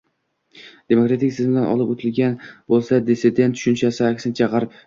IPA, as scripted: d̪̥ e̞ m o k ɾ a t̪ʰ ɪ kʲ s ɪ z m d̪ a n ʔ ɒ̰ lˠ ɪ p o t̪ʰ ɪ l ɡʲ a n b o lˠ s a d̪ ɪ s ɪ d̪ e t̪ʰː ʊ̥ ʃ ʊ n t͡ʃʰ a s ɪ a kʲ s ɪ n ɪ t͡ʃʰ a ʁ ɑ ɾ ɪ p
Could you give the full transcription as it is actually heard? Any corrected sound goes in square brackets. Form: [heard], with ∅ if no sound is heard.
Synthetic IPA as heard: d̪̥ e̞ m o k ɾ a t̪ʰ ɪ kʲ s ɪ z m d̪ a n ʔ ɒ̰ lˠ ɪ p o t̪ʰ ɪ l ɡʲ a n b o lˠ s a d̪ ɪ s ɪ d̪ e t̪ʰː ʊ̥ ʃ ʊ n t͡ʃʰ a s ɪ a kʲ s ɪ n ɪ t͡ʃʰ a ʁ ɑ ɾ ɪ p